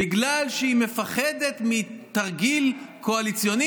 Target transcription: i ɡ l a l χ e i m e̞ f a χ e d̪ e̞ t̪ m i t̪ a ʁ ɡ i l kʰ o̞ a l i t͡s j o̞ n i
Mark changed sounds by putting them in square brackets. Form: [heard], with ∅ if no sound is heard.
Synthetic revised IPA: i ɡ l a l [ʃ] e i m e̞ f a χ e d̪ e̞ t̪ m i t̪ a ʁ ɡ i l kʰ o̞ a l i t͡s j o̞ n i